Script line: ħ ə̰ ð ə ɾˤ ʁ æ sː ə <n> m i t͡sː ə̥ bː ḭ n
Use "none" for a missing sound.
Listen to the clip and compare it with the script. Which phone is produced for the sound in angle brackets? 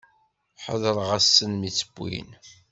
n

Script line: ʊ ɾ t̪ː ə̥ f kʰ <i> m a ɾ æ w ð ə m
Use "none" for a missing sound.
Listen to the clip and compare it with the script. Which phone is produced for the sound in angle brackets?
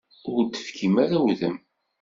i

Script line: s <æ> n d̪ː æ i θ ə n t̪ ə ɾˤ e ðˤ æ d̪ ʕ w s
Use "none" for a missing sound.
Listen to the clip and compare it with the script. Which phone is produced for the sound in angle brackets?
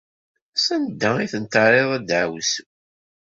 æ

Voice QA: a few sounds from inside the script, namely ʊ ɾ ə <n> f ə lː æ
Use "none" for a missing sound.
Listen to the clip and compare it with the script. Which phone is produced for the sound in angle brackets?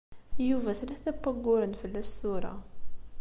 n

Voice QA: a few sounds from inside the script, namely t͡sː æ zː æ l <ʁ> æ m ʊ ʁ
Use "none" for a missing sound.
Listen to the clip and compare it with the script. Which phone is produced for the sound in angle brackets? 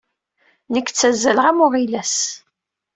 ʁ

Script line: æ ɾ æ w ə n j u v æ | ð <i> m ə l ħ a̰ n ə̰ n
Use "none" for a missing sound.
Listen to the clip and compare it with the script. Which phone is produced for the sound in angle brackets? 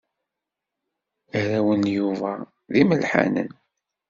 i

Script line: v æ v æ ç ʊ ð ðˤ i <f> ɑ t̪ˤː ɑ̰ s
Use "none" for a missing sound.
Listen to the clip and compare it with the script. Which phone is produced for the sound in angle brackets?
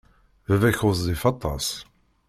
f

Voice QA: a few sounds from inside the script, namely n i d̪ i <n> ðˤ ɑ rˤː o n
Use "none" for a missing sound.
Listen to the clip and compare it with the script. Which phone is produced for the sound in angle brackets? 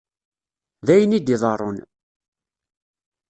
none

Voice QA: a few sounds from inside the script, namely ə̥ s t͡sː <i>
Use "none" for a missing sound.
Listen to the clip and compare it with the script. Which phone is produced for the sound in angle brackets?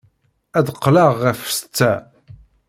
æ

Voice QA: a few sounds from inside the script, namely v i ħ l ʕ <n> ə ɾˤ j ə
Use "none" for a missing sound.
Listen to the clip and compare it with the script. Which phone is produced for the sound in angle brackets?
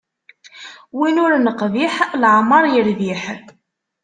m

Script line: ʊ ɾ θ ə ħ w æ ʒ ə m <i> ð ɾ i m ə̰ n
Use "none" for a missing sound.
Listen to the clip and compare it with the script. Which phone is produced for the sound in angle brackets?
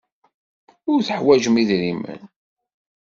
i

